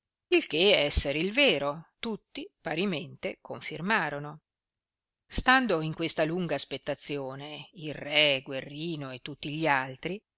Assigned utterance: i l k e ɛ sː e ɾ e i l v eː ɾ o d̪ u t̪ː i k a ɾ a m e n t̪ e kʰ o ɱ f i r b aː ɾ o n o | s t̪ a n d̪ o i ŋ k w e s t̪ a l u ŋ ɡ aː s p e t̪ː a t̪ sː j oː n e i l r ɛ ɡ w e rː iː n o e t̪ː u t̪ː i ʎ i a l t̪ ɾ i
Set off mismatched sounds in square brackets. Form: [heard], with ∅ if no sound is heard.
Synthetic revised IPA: i l k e ɛ sː e ɾ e i l v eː ɾ o [t̪] u t̪ː i [p] a ɾ [i] m e n t̪ e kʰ o ɱ f i r [m] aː ɾ o n o | s t̪ a n d̪ o i ŋ k w e s t̪ a l u ŋ ɡ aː s p e t̪ː a t̪ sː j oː n e i l r ɛ ɡ w e rː iː n o e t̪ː u t̪ː i ʎ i a l t̪ ɾ i